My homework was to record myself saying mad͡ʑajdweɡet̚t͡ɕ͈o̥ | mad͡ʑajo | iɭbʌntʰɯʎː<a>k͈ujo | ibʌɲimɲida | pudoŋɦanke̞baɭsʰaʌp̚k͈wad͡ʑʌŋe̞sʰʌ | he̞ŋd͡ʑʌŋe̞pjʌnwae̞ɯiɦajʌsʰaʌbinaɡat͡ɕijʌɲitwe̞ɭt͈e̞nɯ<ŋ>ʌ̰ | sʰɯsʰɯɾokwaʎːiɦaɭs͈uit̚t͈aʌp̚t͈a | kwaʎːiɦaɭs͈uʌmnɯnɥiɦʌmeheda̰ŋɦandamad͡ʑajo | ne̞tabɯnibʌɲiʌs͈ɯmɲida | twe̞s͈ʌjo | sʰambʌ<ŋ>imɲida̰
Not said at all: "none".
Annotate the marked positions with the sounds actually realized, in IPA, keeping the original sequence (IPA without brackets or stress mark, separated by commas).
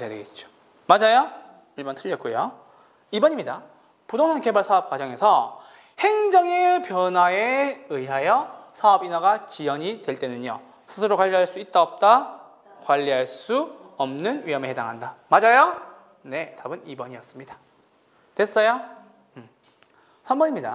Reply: ʌ, ɲ, ɲ